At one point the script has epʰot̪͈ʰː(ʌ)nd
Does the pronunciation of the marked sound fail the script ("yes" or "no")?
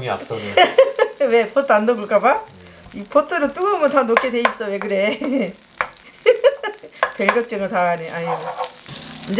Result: yes